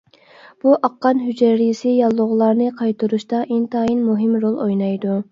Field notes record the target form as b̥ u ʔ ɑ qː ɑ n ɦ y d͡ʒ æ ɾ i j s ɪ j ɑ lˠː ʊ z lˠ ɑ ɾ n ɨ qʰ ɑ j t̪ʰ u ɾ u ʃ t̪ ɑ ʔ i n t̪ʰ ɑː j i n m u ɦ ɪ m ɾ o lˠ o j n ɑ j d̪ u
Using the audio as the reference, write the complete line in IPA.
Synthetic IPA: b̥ u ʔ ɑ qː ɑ n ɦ y d͡ʒ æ ɾ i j s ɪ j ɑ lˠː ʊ ʁ lˠ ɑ ɾ n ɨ qʰ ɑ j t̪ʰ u ɾ u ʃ t̪ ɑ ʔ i n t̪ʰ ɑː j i n m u ɦ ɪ m ɾ o lˠ o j n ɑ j d̪ u